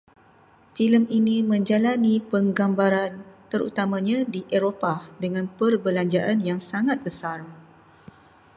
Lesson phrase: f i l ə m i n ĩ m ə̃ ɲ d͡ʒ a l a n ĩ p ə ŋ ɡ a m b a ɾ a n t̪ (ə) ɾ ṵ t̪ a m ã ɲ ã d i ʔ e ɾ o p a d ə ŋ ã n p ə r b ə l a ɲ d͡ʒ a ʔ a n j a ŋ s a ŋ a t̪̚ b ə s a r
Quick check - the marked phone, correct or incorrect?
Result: correct